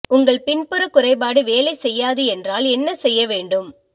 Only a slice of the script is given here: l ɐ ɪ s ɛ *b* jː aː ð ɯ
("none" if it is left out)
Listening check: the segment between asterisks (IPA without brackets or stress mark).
none